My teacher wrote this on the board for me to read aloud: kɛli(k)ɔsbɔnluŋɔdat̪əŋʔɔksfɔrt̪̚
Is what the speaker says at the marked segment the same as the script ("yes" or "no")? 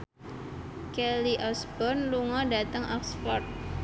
no